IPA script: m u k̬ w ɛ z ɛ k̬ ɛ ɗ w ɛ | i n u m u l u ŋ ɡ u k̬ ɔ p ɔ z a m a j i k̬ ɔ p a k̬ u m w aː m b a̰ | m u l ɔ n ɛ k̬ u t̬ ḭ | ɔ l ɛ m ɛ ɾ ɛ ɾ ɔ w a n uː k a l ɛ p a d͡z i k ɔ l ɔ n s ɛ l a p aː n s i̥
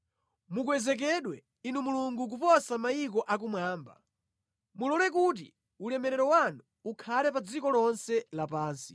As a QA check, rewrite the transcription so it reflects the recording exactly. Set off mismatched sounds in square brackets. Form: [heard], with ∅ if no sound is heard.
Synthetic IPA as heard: m u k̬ w ɛ z ɛ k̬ ɛ ɗ w ɛ | i n u m u l u ŋ ɡ u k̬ [u] p ɔ [s] a m a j i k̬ ɔ [ʔ] a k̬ u m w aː m b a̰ | m u l ɔ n ɛ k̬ u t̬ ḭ | [u] l ɛ m ɛ ɾ ɛ ɾ ɔ w a n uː [kʰ] a l ɛ p a d͡z i k ɔ l ɔ n s ɛ l a p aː n s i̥